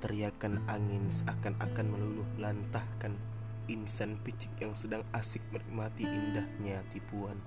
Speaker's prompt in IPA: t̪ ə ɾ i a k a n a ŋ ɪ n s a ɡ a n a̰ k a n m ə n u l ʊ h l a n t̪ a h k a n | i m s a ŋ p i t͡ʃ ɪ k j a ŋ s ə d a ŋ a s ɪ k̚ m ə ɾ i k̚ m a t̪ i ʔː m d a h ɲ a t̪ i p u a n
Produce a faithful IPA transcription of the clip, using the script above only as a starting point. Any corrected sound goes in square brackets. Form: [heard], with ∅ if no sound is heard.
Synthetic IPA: t̪ ə ɾ i a k a n a ŋ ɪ n s a [k] a n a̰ k a n m ə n u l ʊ h l a n t̪ a h k a n | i [n] s a [n] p i t͡ʃ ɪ k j a ŋ s ə d a ŋ a s ɪ k̚ m ə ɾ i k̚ m a t̪ i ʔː [n] d a h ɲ a t̪ i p u a n